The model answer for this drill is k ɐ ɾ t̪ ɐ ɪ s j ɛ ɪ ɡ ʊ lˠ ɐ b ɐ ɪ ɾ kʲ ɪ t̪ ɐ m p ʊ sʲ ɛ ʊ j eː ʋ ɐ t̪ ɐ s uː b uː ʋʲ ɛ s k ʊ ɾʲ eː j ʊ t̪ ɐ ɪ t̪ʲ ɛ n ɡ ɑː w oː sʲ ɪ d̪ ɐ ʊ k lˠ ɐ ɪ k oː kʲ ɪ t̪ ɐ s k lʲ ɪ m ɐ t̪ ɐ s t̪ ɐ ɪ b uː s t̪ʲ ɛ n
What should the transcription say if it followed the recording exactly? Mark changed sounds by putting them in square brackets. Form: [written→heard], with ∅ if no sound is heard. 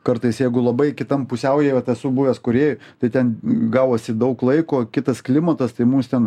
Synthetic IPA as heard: k ɐ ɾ t̪ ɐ ɪ s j ɛ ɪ ɡ ʊ lˠ ɐ b ɐ ɪ [ɾ→∅] kʲ ɪ t̪ ɐ m p ʊ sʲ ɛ ʊ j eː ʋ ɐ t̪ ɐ s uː b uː ʋʲ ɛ s k ʊ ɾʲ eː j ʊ t̪ ɐ ɪ t̪ʲ ɛ n ɡ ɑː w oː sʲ ɪ d̪ ɐ ʊ k lˠ ɐ ɪ k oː kʲ ɪ t̪ ɐ s k lʲ ɪ m ɐ t̪ ɐ s t̪ ɐ ɪ [b→m] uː s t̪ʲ ɛ n